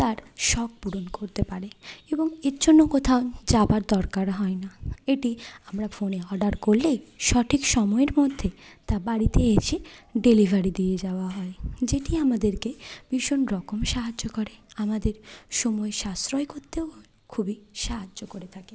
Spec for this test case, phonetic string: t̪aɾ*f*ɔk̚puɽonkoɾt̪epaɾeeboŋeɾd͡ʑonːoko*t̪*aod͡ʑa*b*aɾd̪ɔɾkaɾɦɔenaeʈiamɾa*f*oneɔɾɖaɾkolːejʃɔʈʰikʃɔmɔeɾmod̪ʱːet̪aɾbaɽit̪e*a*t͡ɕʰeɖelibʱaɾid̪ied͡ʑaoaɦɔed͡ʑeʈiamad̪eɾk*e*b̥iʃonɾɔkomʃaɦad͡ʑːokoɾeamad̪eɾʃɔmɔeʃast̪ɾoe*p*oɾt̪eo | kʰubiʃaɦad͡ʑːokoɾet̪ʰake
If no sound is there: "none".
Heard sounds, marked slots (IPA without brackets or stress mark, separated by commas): ʃ, t̪ʰ, b, f, e, e, k